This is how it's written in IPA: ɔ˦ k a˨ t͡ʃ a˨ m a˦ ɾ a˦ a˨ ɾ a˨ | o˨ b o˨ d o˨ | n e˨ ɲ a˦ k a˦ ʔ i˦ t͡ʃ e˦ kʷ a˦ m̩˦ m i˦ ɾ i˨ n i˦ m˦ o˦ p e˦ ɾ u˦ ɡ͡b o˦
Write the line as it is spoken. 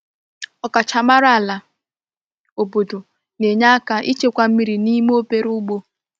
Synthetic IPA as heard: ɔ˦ k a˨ t͡ʃ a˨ m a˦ ɾ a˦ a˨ l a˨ | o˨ b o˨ d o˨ | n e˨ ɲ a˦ k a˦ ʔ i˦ t͡ʃ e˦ kʷ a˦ m̩˦ m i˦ ɾ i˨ n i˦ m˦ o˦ p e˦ ɾ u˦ ɡ͡b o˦